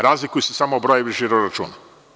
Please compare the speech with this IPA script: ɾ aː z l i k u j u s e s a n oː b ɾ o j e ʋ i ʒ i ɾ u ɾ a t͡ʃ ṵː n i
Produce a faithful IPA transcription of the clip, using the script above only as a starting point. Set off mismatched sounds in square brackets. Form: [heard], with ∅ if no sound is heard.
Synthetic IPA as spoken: ɾ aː z l i k u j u s e s a [m] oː b ɾ o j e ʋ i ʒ i ɾ [o] ɾ a t͡ʃ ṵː n [a]